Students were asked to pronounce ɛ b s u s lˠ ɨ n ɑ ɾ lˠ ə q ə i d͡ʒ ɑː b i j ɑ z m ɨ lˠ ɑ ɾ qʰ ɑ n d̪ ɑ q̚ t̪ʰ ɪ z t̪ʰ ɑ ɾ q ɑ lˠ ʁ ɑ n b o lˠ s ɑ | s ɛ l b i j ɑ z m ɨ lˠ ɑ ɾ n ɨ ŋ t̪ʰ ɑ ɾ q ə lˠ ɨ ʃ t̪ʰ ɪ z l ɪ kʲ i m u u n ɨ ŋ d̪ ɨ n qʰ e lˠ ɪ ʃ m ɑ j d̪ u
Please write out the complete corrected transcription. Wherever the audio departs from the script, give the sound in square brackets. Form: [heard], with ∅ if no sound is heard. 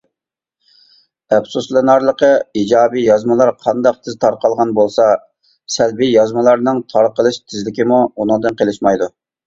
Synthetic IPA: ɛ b s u s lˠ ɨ n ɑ ɾ lˠ ə q ə i d͡ʒ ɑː b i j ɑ z m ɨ lˠ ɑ ɾ qʰ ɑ n d̪ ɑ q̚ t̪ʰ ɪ z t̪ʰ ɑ ɾ q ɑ lˠ ʁ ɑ n b o lˠ s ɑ | s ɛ l b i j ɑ z m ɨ lˠ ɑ ɾ n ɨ ŋ t̪ʰ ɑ ɾ q ə lˠ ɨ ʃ t̪ʰ ɪ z l ɪ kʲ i m u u n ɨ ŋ d̪ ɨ n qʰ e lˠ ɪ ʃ m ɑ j d̪ u